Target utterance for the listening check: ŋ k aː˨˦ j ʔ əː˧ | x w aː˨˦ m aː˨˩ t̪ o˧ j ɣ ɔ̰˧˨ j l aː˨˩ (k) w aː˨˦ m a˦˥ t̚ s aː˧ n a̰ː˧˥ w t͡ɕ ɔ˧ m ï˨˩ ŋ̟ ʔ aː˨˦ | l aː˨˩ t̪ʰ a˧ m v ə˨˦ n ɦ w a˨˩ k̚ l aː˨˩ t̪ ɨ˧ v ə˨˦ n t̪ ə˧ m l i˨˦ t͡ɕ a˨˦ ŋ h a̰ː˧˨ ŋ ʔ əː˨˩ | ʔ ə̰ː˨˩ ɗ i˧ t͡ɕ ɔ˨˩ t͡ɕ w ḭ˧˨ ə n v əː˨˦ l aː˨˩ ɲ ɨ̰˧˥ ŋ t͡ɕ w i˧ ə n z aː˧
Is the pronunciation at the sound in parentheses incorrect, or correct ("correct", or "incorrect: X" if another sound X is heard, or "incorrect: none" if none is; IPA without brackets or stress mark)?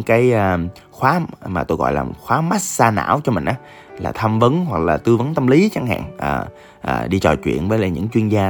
incorrect: x